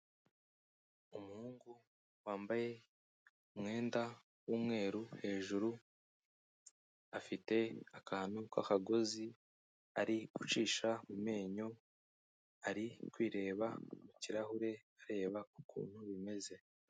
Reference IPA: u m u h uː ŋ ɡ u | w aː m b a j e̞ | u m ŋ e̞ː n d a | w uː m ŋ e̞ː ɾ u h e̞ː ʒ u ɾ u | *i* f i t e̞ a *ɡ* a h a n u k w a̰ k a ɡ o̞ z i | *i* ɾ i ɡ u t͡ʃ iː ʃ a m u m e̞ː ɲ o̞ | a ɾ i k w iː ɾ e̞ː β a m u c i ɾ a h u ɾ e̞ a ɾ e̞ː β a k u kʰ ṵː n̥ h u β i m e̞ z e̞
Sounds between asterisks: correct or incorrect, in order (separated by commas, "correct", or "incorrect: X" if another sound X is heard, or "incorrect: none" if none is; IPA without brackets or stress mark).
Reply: incorrect: a, incorrect: k, incorrect: a